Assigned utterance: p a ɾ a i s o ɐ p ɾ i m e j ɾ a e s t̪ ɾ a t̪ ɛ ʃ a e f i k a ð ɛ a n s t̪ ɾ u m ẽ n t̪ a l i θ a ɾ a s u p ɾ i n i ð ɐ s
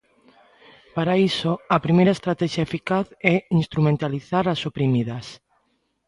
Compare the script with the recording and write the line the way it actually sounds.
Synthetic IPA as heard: p a ɾ a i s o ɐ p ɾ i m e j ɾ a e s t̪ ɾ a t̪ ɛ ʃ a e f i k a θ ɛ i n s t̪ ɾ u m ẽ n t̪ a l i θ a ɾ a s o p ɾ i m i ð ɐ s